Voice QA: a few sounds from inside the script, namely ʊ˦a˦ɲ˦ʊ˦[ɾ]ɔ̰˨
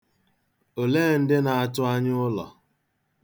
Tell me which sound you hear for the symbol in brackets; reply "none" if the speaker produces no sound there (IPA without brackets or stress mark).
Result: l